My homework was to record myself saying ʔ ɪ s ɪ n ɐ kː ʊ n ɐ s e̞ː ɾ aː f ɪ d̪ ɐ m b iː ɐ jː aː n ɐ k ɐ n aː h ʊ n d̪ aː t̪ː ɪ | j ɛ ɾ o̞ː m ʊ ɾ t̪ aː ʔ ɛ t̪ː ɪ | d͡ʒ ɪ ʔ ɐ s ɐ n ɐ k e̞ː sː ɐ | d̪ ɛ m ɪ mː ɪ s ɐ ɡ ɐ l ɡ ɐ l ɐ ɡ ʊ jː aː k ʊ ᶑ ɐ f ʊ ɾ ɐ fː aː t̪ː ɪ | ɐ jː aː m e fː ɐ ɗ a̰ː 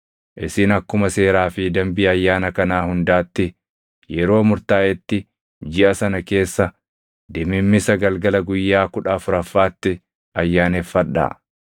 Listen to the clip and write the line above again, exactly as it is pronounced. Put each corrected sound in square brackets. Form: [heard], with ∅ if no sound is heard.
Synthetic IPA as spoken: ʔ ɪ s ɪ n ɐ kː ʊ [m] ɐ s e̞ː ɾ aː f ɪ d̪ ɐ m b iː ɐ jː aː n ɐ k ɐ n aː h ʊ n d̪ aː t̪ː ɪ | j ɛ ɾ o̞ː m ʊ ɾ t̪ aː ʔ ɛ t̪ː ɪ | d͡ʒ ɪ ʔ ɐ s ɐ n ɐ k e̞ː sː ɐ | d̪ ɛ m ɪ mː ɪ s ɐ ɡ ɐ l ɡ ɐ l ɐ ɡ ʊ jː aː k ʊ ᶑ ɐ f ʊ ɾ ɐ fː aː t̪ː ɪ | ɐ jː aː [n] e fː ɐ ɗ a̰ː